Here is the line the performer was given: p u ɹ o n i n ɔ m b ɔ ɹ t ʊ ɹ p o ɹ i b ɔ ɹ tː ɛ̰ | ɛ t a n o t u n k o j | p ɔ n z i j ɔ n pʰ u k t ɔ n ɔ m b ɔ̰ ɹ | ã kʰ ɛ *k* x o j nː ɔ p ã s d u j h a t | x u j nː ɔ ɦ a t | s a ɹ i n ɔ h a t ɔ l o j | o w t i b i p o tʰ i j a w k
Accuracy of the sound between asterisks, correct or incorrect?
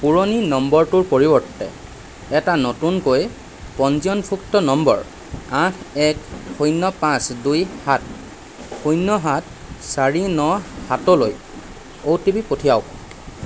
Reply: correct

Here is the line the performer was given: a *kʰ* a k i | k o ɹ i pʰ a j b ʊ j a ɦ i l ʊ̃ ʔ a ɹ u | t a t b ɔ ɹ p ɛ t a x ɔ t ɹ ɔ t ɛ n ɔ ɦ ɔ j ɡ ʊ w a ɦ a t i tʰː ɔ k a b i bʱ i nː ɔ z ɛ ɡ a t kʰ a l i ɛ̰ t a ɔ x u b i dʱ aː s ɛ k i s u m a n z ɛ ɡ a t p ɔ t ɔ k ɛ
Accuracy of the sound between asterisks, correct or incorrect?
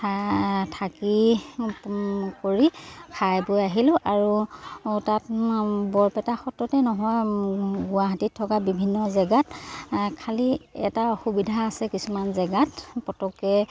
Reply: incorrect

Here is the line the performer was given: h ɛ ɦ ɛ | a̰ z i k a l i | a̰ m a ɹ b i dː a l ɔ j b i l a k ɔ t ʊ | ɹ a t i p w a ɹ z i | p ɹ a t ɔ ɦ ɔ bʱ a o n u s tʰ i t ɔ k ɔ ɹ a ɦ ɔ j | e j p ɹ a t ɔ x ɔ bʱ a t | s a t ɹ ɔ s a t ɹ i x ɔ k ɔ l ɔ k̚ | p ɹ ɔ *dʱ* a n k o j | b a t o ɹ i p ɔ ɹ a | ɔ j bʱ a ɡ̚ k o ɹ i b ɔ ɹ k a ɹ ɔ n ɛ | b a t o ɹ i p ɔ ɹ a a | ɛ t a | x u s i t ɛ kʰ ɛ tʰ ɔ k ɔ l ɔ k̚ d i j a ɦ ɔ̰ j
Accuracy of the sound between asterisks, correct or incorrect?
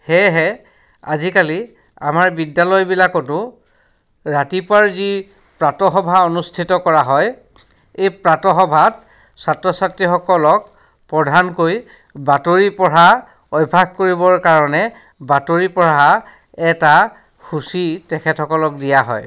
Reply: correct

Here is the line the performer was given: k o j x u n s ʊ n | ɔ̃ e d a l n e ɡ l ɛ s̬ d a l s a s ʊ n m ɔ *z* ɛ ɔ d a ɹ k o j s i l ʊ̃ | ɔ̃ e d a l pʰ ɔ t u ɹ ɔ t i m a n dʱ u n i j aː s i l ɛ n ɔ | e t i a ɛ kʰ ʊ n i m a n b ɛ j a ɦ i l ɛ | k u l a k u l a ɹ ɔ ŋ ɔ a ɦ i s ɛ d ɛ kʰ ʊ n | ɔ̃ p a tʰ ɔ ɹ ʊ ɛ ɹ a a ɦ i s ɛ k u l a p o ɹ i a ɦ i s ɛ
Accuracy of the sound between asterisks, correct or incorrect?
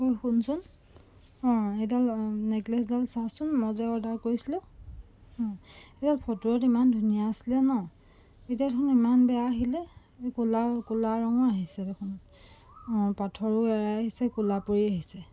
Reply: correct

